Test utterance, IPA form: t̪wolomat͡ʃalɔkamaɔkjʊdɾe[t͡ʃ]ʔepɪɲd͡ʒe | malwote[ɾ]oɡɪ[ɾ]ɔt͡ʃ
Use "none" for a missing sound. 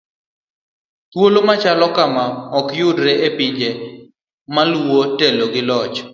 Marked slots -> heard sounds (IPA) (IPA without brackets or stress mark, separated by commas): none, l, l